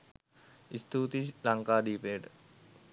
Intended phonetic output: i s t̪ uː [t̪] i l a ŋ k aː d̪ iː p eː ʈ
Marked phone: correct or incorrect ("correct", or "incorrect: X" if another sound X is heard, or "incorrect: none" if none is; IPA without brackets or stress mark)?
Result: correct